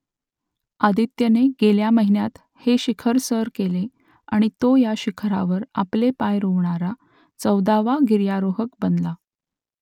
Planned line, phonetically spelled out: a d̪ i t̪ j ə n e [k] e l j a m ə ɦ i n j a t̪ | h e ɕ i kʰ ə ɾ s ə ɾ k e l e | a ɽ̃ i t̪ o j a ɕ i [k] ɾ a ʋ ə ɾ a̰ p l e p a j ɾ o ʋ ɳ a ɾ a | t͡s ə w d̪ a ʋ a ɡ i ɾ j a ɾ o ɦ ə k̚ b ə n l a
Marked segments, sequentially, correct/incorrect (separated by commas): incorrect, incorrect